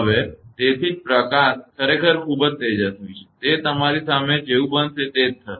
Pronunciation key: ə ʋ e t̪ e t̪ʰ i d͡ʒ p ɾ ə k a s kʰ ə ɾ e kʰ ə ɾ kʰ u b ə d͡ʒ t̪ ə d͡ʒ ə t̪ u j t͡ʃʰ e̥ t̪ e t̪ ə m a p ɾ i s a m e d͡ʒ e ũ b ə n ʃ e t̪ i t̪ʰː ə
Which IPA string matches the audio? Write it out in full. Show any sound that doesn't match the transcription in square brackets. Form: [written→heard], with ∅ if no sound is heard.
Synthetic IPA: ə ʋ e t̪ e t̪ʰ i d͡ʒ p ɾ ə k a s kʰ ə ɾ e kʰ ə ɾ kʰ u b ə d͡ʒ t̪ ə d͡ʒ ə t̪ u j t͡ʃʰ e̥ t̪ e t̪ ə m a [p→∅] ɾ i s a m e d͡ʒ e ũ b ə n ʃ e t̪ [i→e] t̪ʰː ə